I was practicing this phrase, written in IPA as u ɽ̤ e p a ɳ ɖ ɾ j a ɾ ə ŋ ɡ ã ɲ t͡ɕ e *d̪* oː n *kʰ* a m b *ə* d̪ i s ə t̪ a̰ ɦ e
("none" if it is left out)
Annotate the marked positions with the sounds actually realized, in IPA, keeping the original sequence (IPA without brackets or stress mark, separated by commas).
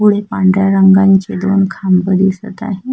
d̪, kʰ, ə